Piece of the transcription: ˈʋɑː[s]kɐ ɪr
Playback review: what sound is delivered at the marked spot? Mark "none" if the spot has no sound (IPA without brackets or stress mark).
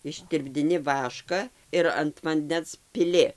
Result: ʃ